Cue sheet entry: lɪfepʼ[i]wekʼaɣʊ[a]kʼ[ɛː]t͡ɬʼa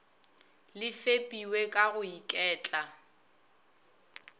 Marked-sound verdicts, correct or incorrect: correct, incorrect: i, correct

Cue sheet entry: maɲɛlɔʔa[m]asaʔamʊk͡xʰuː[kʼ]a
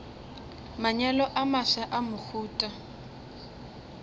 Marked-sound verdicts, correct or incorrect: correct, incorrect: tʼ

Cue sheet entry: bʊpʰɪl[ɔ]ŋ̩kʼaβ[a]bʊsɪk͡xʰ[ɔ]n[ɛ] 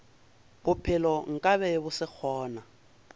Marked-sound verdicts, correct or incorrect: correct, incorrect: ɛ, incorrect: ɔː, incorrect: a

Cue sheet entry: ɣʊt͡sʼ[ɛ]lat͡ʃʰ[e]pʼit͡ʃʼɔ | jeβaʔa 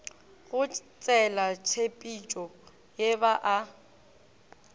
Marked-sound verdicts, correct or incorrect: correct, correct

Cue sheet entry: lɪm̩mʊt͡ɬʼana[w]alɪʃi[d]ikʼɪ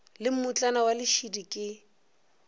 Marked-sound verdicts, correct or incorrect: correct, correct

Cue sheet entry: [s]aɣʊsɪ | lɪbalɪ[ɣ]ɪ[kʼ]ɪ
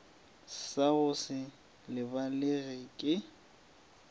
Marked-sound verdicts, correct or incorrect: correct, correct, correct

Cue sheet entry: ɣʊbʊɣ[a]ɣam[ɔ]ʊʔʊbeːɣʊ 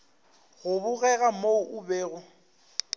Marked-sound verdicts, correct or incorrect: incorrect: ɛ, incorrect: o

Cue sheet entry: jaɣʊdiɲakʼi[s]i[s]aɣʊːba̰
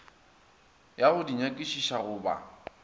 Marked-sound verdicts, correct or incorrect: incorrect: ʃ, incorrect: ʃ

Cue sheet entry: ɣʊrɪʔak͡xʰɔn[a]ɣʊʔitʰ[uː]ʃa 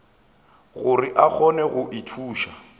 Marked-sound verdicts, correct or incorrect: incorrect: ɛ, correct

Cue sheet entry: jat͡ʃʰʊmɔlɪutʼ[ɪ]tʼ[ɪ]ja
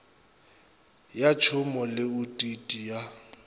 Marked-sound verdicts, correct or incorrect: incorrect: i, incorrect: i

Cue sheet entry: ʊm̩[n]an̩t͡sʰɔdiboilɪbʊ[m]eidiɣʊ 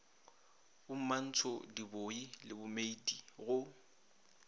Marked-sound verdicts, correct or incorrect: incorrect: m, correct

